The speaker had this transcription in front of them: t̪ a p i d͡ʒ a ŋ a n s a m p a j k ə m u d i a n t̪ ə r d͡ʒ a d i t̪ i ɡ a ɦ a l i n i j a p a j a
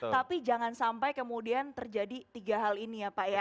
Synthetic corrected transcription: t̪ a p i d͡ʒ a ŋ a n s a m p a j k ə m u d i a n t̪ ə r d͡ʒ a d i t̪ i ɡ a ɦ a l i n i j a p a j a